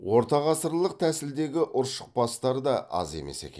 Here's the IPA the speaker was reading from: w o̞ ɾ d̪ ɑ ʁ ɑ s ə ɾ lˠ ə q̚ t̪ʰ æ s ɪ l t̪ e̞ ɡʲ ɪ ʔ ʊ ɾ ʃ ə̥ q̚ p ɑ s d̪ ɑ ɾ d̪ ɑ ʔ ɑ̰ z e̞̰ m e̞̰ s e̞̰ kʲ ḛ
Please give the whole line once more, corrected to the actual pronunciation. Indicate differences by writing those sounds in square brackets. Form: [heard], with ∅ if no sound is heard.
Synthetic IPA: w o̞ ɾ [t̪] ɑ ʁ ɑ s ə ɾ lˠ ə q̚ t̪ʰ æ s ɪ l [d̪] e̞ ɡʲ ɪ ʔ ʊ ɾ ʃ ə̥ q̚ p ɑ s [t̪] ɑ ɾ d̪ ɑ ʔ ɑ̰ z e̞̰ m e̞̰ s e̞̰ kʲ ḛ